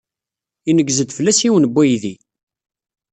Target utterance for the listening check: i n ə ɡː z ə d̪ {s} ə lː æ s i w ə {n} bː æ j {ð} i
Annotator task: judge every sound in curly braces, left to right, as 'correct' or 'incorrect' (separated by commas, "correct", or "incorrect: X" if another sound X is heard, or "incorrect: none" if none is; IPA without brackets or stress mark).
incorrect: f, correct, correct